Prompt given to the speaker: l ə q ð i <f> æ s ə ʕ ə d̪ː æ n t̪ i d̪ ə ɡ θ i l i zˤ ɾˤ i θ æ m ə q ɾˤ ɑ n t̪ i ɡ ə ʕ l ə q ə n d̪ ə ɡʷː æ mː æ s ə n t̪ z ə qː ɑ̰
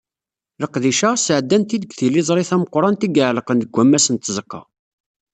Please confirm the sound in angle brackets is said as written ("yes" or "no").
no